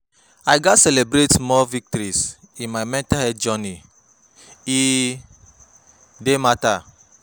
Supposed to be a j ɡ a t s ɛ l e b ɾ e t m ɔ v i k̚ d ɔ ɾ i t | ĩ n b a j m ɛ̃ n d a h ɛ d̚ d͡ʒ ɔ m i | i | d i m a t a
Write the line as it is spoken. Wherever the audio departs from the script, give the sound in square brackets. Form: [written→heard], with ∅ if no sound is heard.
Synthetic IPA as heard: a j ɡ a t s ɛ l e b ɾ e t m ɔ v i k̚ [d→t] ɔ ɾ i [t→s] | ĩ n [b→m] a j m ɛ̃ n [d→t] a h ɛ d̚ d͡ʒ ɔ [m→n] i | i | d [i→e] m a t a